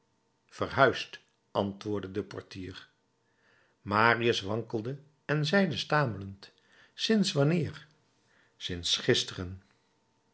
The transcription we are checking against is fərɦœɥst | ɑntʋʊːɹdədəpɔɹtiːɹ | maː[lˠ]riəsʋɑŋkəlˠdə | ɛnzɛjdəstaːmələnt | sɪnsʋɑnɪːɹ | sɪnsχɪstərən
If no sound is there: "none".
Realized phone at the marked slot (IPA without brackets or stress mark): none